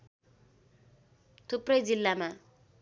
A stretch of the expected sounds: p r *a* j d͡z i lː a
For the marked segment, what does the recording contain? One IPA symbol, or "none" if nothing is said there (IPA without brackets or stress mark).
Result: ʌ